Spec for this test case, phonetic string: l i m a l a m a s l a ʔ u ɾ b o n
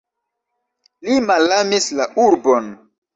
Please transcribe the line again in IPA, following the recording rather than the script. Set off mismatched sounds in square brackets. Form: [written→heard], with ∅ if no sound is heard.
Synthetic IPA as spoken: l i m a l a m [a→i] s l a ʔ u ɾ b o n

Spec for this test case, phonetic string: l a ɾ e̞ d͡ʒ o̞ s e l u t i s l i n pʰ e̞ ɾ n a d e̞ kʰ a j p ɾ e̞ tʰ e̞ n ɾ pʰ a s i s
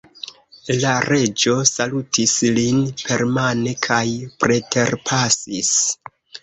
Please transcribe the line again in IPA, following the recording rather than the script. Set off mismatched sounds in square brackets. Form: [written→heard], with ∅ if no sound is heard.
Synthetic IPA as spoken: l a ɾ e̞ d͡ʒ o̞ s [e→a] l u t i s l i n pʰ e̞ ɾ [n→m] a [d→n] e̞ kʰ a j p ɾ e̞ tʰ e̞ [n→∅] ɾ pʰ a s i s

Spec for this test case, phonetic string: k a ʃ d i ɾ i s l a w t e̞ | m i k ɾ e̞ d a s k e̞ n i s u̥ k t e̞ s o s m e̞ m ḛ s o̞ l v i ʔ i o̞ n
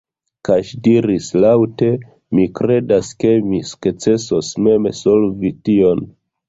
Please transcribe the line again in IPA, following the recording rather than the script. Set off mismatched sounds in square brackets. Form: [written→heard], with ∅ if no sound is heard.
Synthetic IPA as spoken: k a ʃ d i ɾ i s l a w t e̞ | m i k ɾ e̞ d a s k e̞ [n→m] i s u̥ k [t→t͡s] e̞ s o s m e̞ m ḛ s o̞ l v i [ʔ→t] i o̞ n

